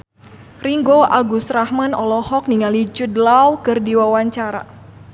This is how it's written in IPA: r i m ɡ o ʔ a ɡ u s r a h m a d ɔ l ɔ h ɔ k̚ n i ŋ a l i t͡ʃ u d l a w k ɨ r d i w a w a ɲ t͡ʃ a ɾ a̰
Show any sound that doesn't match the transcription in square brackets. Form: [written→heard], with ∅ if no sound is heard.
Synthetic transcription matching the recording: r i [m→ŋ] ɡ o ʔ a ɡ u s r a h m a [d→n] ɔ l ɔ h ɔ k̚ n i ŋ a l i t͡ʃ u d l a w k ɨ r d i w a w a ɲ t͡ʃ a ɾ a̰